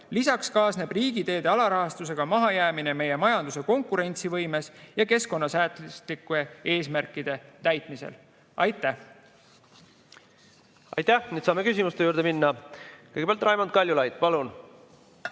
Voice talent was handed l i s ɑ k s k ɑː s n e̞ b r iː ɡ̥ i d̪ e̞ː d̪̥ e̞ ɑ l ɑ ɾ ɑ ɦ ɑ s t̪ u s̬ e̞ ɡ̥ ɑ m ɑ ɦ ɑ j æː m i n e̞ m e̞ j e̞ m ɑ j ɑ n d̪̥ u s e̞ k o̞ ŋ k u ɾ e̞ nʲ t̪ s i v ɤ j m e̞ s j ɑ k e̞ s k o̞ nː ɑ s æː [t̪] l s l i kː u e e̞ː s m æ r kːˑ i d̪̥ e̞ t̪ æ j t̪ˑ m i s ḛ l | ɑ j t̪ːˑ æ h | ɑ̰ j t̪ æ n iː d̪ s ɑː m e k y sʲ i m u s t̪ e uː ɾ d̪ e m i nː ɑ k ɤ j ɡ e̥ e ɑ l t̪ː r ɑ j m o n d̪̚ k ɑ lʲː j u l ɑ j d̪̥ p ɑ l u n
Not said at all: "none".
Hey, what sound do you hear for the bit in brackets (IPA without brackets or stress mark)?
t̪